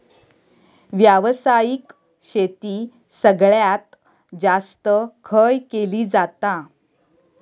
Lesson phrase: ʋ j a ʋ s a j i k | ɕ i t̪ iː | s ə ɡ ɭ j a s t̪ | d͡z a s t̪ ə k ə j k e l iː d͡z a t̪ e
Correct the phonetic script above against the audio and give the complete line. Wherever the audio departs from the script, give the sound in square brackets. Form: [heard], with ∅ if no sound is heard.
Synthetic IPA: ʋ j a ʋ s a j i k | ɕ [e] t̪ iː | s ə ɡ ɭ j a [∅] t̪ | d͡z a s t̪ ə [kʰ] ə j k e l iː d͡z a t̪ [a]